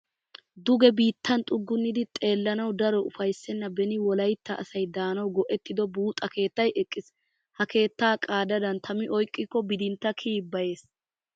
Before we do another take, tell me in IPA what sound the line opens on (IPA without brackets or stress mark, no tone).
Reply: d̪